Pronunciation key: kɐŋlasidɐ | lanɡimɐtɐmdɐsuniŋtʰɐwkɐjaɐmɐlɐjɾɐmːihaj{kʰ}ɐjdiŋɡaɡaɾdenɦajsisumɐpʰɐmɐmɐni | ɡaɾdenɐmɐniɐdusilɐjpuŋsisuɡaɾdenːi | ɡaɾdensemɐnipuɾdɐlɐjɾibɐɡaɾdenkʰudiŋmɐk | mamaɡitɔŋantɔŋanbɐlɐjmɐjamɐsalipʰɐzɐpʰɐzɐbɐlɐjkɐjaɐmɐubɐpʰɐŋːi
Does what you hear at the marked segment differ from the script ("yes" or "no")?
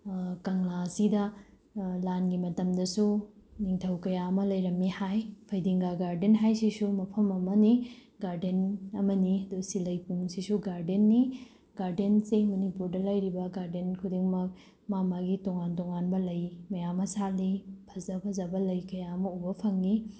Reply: yes